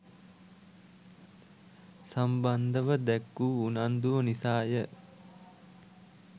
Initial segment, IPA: s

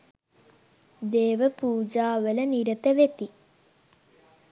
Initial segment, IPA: d̪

